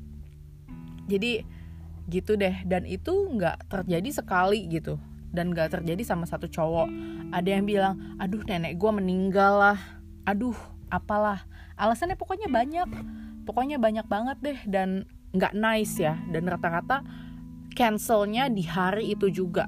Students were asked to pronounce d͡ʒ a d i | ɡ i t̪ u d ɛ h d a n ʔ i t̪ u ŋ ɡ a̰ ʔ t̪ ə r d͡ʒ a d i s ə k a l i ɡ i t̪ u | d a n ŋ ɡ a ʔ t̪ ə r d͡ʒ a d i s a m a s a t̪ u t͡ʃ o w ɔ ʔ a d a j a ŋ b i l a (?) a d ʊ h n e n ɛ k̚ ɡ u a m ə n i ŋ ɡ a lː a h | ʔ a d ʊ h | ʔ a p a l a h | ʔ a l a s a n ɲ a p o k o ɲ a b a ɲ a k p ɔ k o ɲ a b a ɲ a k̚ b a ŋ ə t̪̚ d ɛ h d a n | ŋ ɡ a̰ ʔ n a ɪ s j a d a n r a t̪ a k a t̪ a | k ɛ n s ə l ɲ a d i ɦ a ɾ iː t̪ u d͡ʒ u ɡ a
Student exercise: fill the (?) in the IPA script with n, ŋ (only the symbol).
ŋ